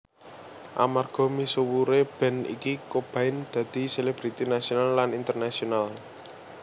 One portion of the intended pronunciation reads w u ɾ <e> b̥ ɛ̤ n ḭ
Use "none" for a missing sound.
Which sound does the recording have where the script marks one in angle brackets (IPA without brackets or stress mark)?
e